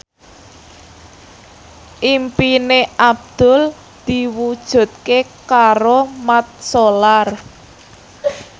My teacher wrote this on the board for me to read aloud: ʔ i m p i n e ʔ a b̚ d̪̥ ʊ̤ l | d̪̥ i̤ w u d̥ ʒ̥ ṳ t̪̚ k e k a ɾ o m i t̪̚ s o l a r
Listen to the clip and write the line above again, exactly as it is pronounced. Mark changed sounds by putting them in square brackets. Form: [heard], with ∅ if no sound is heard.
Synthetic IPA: ʔ i m p i n e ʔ a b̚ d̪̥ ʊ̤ l | d̪̥ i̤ w u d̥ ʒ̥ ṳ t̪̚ k e k a ɾ o m [a] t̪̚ s o l a r